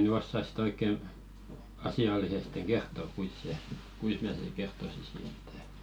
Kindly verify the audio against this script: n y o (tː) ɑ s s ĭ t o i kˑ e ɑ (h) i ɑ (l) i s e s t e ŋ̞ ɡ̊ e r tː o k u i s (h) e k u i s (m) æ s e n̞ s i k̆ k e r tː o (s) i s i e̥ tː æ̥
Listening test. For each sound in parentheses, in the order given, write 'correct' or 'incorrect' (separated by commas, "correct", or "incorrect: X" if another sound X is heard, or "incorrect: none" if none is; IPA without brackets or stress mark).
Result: incorrect: sː, incorrect: s, incorrect: lː, incorrect: s, correct, correct